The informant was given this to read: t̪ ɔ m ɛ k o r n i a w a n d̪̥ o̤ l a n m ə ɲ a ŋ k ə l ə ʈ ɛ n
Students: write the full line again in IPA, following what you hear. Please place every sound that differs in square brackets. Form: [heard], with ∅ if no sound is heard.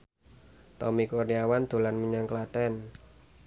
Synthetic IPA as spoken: t̪ ɔ m [i] k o r n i a w a n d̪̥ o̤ l a n m ə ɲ a ŋ k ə l [a] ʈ ɛ n